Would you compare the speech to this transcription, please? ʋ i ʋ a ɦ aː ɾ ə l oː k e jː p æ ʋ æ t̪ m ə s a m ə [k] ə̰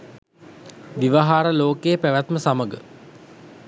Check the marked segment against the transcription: incorrect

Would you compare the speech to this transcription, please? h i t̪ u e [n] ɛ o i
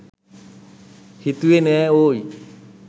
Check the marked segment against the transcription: correct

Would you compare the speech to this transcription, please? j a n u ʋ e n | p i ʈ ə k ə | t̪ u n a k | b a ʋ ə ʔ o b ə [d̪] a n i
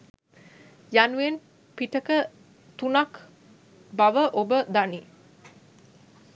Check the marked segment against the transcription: correct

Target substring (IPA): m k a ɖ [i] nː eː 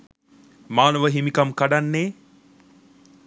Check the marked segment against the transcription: incorrect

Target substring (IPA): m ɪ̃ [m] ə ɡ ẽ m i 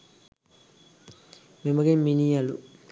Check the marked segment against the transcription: correct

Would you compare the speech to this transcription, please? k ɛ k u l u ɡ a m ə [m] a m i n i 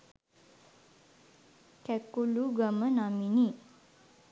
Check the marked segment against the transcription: incorrect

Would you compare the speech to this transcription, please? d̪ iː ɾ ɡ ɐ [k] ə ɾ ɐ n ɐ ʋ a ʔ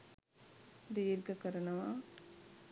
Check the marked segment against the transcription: correct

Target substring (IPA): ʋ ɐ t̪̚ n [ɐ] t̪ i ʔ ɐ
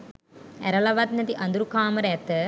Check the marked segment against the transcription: correct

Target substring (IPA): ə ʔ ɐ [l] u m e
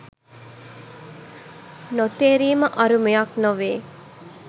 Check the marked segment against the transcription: incorrect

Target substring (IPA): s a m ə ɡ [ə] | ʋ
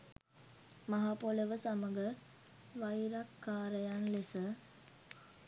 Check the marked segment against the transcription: correct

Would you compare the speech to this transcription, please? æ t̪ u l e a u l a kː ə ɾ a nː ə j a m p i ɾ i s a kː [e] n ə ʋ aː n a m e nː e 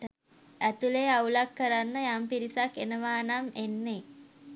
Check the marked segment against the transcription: correct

